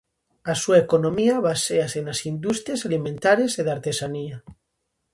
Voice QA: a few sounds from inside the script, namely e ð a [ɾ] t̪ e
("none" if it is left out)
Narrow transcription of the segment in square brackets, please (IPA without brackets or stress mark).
ɾ